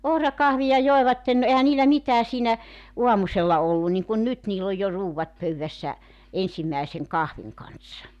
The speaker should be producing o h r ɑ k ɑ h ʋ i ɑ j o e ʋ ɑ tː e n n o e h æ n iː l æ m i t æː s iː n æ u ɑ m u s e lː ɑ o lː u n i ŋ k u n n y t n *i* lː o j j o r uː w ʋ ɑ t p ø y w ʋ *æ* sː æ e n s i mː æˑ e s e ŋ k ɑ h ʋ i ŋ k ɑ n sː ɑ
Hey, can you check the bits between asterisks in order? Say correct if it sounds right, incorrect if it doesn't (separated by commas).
incorrect, correct